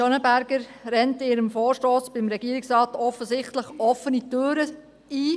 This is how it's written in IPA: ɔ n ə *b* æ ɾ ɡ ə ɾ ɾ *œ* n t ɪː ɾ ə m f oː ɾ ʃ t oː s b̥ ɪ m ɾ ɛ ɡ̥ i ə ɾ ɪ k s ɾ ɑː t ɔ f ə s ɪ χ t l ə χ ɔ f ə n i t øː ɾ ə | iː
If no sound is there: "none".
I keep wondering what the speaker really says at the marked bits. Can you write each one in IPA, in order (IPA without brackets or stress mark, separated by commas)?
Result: b, ɛ